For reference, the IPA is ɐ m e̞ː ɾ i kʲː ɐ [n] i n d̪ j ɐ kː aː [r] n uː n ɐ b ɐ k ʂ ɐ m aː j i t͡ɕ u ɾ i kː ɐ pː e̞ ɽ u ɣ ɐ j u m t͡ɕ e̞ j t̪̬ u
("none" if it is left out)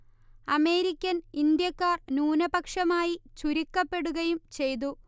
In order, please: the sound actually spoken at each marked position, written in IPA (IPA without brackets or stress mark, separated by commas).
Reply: n, r